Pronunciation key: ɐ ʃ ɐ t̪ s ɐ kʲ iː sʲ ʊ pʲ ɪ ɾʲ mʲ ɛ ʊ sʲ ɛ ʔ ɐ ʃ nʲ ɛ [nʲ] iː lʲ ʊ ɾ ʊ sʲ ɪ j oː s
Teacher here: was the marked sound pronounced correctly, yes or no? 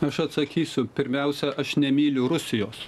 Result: no